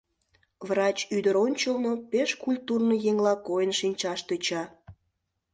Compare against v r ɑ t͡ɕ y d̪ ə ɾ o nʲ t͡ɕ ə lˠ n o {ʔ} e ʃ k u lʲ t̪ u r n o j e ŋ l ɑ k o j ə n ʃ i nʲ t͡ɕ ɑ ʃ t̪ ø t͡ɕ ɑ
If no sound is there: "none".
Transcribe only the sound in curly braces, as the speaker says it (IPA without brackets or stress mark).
p